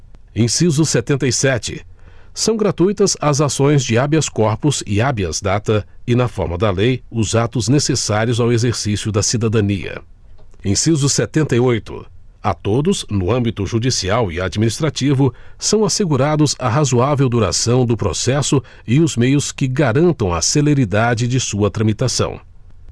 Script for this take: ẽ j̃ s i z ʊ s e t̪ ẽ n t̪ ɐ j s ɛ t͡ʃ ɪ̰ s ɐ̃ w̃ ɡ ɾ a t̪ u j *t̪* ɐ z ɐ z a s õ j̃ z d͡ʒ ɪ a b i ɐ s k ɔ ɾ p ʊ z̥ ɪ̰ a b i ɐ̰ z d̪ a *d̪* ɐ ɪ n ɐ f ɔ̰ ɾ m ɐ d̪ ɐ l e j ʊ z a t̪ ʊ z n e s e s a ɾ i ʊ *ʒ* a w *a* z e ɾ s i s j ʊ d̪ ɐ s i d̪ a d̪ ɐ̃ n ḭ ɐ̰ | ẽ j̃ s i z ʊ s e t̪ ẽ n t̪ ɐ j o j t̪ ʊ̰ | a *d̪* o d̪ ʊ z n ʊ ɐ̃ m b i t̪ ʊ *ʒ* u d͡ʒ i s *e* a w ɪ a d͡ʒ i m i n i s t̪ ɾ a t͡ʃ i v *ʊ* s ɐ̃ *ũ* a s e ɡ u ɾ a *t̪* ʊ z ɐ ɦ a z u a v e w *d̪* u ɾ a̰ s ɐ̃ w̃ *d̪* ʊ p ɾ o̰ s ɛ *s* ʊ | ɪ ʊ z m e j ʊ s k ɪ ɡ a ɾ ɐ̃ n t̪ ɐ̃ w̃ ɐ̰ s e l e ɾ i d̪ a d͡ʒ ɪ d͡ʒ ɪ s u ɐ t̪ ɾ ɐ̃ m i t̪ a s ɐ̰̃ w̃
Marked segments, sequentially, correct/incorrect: correct, incorrect, incorrect, incorrect, incorrect, correct, incorrect, correct, incorrect, incorrect, correct, correct, correct

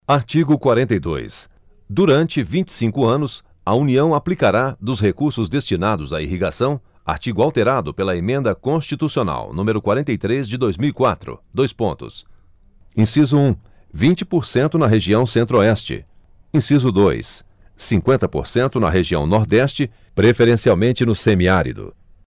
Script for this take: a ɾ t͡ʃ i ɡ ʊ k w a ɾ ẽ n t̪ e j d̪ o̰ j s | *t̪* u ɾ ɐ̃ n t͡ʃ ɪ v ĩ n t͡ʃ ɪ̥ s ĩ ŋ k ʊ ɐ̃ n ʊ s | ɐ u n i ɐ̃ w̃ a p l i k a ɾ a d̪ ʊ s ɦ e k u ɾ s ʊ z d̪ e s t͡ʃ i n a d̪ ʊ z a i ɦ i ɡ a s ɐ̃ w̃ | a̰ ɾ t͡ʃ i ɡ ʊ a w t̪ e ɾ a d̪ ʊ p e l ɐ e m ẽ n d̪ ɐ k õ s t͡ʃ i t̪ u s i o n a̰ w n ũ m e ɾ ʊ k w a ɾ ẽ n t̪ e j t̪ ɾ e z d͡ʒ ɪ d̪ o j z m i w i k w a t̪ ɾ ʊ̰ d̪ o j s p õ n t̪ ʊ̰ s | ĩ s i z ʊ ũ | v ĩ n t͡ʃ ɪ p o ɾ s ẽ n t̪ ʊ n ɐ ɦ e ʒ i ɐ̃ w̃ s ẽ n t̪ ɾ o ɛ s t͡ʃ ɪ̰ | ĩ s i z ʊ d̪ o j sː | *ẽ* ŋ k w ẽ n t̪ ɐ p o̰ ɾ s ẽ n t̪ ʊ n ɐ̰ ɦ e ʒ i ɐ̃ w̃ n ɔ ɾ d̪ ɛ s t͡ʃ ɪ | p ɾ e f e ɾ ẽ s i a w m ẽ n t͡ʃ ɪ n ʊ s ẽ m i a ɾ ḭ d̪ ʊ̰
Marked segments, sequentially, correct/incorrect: incorrect, incorrect

